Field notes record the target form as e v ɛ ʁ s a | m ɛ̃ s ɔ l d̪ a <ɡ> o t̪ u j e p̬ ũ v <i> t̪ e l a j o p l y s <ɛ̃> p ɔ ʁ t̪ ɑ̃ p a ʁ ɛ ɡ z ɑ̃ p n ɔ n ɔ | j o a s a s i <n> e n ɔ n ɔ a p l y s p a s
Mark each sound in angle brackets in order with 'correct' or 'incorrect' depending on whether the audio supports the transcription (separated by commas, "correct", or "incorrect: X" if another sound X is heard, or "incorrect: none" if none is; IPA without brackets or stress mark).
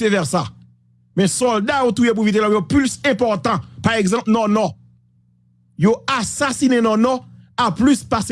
incorrect: none, correct, correct, correct